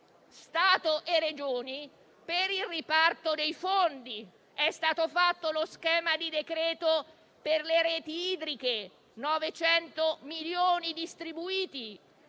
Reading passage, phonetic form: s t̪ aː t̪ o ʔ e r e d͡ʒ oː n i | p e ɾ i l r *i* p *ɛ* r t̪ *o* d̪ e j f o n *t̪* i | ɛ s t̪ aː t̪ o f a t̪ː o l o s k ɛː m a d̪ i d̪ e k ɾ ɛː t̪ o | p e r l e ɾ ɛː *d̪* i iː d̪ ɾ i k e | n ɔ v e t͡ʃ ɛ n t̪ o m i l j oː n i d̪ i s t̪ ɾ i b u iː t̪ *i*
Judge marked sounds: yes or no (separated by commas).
yes, no, yes, no, no, yes